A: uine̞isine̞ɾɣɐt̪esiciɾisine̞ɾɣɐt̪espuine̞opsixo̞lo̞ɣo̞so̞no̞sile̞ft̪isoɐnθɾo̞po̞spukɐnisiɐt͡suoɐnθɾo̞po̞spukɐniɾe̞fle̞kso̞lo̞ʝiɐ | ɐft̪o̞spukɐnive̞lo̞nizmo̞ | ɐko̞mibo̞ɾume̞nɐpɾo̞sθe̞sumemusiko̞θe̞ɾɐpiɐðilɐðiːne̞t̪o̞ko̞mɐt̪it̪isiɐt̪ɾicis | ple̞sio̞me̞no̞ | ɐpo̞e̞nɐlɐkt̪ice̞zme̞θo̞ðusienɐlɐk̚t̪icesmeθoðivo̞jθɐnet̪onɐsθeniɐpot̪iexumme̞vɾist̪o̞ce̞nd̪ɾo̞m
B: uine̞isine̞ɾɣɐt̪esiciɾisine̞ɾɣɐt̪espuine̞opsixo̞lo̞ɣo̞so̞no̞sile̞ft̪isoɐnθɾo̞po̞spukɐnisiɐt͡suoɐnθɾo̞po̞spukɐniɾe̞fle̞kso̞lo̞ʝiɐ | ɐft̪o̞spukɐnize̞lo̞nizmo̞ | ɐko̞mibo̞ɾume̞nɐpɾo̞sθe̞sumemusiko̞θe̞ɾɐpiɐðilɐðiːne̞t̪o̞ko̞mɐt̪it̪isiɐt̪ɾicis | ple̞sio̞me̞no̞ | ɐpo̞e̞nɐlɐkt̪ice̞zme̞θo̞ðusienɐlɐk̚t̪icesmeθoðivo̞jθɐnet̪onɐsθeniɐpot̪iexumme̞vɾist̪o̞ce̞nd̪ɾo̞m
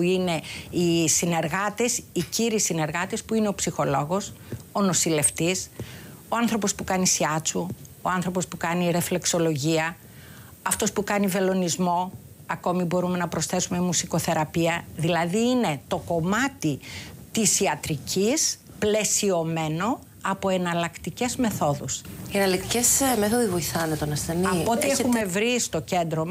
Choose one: A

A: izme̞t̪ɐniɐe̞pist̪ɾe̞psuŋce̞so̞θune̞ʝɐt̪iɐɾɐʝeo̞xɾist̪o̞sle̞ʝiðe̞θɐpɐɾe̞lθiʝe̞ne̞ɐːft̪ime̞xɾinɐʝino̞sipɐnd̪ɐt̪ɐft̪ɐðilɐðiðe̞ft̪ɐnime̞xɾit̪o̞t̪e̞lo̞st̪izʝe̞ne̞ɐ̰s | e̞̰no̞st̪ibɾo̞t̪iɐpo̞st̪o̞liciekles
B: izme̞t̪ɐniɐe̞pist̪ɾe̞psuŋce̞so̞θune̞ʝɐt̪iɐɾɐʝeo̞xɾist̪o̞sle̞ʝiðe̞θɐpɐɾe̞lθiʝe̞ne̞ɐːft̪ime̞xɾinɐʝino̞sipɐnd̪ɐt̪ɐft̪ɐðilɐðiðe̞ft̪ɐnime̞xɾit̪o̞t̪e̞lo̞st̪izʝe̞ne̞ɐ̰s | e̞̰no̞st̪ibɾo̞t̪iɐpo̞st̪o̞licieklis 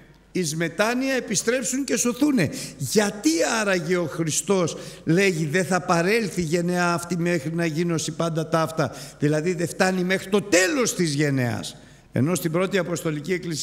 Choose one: B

